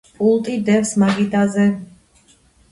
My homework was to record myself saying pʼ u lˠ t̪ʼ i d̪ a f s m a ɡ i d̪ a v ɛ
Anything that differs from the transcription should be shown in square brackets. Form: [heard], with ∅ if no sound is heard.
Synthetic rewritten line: pʼ u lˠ t̪ʼ i d̪ [ɛ] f s m a ɡ i d̪ a [z] ɛ